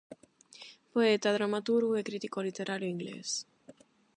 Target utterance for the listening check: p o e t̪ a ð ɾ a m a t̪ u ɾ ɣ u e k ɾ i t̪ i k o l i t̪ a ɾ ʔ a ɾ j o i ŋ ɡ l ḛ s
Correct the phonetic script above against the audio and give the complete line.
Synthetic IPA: p o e t̪ a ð ɾ a m a t̪ u ɾ ɣ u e k ɾ i t̪ i k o l i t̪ e ɾ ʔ a ɾ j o i ŋ ɡ l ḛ s